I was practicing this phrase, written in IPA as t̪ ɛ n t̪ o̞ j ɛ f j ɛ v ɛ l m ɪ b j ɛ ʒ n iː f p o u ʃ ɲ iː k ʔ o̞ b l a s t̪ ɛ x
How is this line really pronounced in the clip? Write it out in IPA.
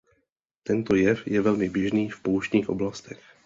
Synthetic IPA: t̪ ɛ n t̪ o̞ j ɛ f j ɛ v ɛ l m ɪ b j ɛ ʒ n iː f p o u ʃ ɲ iː x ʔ o̞ b l a s t̪ ɛ x